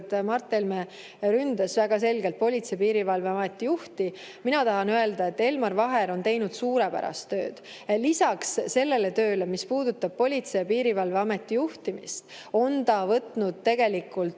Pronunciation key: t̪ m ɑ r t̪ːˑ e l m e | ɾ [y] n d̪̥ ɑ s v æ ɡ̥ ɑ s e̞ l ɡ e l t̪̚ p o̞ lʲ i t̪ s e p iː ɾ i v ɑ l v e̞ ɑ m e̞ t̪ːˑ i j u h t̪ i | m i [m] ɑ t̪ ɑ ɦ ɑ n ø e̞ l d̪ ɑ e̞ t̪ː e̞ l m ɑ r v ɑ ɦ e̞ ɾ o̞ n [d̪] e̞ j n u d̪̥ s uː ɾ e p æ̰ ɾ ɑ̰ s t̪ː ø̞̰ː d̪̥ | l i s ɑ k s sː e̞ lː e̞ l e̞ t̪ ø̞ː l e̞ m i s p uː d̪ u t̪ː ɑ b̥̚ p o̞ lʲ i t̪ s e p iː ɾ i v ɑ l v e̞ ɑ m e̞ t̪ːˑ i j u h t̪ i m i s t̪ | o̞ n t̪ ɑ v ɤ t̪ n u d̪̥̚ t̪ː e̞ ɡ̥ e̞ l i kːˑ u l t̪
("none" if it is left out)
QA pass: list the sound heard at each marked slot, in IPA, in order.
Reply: y, n, t̪

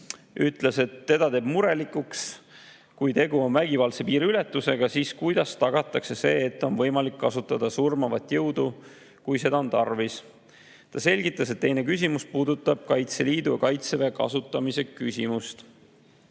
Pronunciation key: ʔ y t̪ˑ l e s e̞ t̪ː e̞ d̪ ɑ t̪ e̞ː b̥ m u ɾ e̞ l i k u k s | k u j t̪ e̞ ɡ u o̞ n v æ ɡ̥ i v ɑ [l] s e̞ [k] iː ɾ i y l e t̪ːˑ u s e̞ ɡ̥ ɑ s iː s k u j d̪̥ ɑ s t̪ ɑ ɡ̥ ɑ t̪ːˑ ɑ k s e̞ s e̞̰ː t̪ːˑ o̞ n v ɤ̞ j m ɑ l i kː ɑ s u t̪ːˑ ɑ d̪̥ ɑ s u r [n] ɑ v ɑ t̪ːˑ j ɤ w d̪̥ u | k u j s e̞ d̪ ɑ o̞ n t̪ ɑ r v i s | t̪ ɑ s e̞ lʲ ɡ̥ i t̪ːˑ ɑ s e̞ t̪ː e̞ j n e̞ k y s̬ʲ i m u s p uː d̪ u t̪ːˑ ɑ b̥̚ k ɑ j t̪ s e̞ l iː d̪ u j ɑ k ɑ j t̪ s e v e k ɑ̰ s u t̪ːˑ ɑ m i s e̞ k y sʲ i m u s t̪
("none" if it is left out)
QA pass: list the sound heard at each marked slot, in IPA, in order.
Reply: l, p, m

